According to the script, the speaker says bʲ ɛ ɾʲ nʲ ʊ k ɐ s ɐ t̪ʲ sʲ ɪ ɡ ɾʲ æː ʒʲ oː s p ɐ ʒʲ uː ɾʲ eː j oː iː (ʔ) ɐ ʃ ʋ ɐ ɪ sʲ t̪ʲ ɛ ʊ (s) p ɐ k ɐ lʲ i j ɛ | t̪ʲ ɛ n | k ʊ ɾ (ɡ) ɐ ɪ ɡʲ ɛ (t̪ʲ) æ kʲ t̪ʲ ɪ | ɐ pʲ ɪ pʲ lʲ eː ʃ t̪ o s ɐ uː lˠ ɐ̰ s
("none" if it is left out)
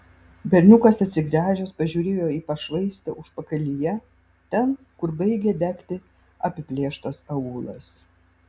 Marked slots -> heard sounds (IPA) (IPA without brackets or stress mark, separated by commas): p, ʃ, b, d̪ʲ